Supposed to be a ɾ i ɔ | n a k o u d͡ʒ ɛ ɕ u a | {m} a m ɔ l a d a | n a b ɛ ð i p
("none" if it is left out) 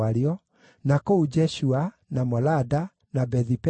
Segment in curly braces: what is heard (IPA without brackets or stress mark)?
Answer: n